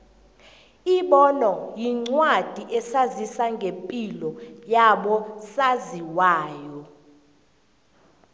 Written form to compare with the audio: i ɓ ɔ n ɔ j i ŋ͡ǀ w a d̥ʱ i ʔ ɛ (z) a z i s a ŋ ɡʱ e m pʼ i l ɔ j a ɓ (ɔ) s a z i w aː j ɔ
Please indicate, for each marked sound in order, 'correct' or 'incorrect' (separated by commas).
incorrect, correct